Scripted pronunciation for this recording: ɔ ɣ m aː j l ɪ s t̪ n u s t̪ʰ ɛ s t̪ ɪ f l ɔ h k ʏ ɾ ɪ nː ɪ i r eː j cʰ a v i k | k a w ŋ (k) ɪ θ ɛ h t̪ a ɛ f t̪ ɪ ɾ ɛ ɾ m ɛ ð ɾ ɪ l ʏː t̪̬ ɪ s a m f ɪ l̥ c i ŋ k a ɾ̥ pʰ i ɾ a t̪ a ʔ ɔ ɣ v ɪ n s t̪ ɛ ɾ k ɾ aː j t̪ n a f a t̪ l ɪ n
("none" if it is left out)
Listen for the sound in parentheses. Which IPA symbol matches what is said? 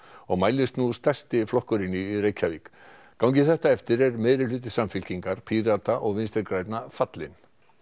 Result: c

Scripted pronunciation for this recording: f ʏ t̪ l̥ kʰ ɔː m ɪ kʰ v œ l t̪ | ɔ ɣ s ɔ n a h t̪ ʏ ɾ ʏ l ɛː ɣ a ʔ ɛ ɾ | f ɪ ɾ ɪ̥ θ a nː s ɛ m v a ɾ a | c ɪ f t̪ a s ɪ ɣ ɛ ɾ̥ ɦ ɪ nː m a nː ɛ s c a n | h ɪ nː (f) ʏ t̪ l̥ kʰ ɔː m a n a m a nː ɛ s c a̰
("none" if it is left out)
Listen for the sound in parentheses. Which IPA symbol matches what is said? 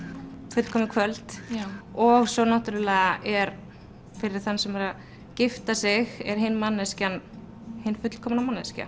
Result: f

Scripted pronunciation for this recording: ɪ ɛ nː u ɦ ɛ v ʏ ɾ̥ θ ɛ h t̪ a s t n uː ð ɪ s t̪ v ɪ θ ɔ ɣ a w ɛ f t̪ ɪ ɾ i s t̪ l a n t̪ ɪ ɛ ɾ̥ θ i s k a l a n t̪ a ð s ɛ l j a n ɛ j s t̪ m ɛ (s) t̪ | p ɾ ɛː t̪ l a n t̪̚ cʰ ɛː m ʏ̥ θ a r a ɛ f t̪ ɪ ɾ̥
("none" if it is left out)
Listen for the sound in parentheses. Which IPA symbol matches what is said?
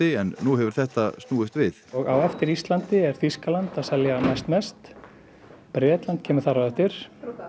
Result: s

